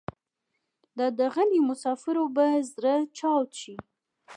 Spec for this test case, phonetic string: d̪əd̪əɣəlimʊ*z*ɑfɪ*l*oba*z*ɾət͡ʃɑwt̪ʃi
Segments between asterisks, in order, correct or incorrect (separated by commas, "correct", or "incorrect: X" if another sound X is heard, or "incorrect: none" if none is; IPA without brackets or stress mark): incorrect: s, incorrect: ɾ, correct